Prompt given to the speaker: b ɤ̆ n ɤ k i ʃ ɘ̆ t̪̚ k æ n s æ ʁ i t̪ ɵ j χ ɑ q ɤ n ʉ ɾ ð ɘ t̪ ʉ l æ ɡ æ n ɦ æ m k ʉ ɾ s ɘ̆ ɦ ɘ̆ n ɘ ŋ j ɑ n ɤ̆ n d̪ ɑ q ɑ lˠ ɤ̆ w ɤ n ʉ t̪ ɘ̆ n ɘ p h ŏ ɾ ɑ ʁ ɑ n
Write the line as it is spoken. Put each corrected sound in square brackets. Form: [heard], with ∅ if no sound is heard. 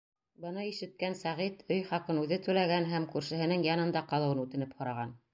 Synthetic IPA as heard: b ɤ̆ n ɤ [∅] i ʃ ɘ̆ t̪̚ k æ n s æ ʁ i t̪ ɵ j χ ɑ q ɤ n ʉ [∅] ð ɘ t̪ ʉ l æ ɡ æ n ɦ æ m k ʉ ɾ [ʃ] ɘ̆ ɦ ɘ̆ n ɘ ŋ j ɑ n ɤ̆ n d̪ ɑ q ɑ lˠ ɤ̆ w ɤ n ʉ t̪ ɘ̆ n ɘ p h ŏ ɾ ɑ ʁ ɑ n

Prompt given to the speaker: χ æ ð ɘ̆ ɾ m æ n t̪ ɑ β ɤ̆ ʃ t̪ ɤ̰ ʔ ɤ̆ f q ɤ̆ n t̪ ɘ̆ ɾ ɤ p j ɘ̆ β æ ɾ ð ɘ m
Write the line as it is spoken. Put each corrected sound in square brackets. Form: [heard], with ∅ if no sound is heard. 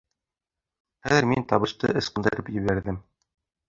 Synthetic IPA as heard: χ æ ð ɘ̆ ɾ m [i] n t̪ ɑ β ɤ̆ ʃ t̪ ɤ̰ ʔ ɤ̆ [s] q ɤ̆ n [d̪] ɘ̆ ɾ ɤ p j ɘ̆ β æ ɾ ð ɘ m

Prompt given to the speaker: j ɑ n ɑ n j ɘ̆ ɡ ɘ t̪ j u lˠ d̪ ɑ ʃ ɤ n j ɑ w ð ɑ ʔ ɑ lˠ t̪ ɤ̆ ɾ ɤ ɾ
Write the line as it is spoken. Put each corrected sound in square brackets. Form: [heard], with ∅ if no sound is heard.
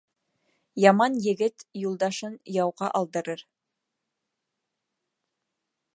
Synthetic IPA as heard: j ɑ [m] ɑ n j ɘ̆ ɡ ɘ t̪ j u lˠ d̪ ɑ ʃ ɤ n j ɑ w [ʁ] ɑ ʔ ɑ lˠ [d̪] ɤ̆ ɾ ɤ ɾ

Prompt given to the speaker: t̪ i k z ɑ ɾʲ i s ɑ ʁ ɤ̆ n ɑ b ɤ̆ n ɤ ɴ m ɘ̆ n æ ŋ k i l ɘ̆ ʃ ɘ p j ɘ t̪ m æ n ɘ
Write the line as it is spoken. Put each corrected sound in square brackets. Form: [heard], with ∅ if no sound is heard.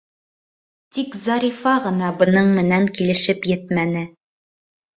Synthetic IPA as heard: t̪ i k z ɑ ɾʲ i [f] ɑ ʁ ɤ̆ n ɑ b ɤ̆ n ɤ ɴ m ɘ̆ n æ ŋ k i l ɘ̆ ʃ ɘ p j ɘ t̪ m æ n ɘ

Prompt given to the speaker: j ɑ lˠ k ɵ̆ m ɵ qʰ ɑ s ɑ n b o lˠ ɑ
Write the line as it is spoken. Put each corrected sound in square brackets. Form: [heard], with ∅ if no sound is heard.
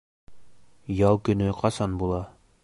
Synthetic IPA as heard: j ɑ lˠ k ɵ̆ [n] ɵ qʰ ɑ s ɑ n b [u] lˠ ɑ

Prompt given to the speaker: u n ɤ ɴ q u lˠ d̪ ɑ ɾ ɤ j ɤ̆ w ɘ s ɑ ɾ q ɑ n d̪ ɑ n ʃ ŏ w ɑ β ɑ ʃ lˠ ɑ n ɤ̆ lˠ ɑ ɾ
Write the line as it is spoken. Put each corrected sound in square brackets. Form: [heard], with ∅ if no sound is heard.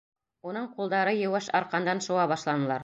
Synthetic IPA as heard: u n ɤ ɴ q u lˠ d̪ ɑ ɾ ɤ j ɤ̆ w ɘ [ʃ] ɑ ɾ q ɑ n d̪ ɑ n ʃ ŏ w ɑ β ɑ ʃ lˠ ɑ n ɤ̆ lˠ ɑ ɾ

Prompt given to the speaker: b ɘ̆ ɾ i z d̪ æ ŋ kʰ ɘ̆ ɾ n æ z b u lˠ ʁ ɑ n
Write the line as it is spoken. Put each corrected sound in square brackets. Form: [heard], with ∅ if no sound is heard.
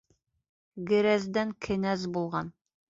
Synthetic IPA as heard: [ɡ] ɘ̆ ɾ [æ] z d̪ æ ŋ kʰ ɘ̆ [∅] n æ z b u lˠ ʁ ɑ n

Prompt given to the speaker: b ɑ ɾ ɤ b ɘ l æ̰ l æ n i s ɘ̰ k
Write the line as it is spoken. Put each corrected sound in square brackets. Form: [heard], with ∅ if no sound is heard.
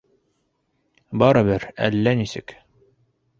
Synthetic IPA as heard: b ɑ ɾ ɤ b ɘ [ɾ] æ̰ [lː] æ n i s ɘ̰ k

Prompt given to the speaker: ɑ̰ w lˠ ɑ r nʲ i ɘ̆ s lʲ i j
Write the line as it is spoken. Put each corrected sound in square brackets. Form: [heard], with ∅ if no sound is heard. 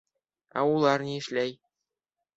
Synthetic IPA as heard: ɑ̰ [u] lˠ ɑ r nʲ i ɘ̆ [ʃ] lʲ [æ] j

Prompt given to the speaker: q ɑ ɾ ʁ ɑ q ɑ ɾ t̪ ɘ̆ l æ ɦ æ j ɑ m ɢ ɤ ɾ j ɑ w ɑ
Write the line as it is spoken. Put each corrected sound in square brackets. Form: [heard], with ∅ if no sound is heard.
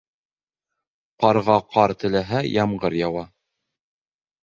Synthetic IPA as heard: q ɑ ɾ ʁ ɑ q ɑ ɾ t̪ ɘ̆ l æ ɦ æ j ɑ m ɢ ɤ ɾ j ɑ w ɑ

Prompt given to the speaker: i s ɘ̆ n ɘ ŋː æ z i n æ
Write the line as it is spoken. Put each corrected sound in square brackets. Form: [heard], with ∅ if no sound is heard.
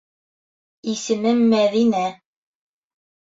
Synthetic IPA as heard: i s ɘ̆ [m] ɘ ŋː æ [ð] i n æ

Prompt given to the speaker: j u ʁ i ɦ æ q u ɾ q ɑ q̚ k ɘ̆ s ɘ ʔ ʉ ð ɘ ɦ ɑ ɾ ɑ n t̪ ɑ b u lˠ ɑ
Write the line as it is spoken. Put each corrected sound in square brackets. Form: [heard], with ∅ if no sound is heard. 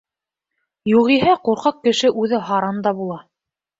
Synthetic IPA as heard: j u ʁ i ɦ æ q u ɾ q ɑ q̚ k ɘ̆ [ʃ] ɘ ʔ ʉ ð ɘ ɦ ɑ ɾ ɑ n [d̪] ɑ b u lˠ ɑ

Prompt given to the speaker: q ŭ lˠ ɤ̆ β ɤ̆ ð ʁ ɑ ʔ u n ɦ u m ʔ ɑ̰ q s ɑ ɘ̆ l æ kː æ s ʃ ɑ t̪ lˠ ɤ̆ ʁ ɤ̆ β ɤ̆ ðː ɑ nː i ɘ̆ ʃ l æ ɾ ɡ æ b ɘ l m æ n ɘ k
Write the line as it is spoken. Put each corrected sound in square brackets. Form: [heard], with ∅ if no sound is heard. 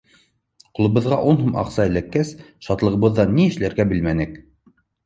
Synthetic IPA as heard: q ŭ lˠ ɤ̆ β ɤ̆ ð ʁ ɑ ʔ u n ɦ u m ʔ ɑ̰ q s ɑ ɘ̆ l æ kː æ s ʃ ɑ t̪ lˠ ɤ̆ ʁ ɤ̆ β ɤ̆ ðː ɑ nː i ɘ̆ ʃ l æ ɾ ɡ æ b ɘ l m æ n ɘ k

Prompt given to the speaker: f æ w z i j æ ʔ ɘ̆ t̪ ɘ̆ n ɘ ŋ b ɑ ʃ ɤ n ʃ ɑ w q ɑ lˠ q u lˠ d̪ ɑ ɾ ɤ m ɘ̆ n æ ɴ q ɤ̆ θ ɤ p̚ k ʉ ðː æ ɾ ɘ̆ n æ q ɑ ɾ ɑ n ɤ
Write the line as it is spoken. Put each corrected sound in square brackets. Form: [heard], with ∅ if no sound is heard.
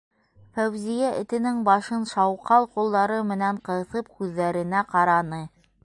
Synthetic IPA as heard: f æ w z i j æ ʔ ɘ̆ t̪ ɘ̆ n ɘ ŋ b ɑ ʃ ɤ n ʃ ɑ w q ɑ lˠ q u lˠ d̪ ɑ ɾ ɤ m ɘ̆ n æ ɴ q ɤ̆ θ ɤ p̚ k ʉ ðː æ ɾ ɘ̆ n æ q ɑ ɾ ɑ n ɤ

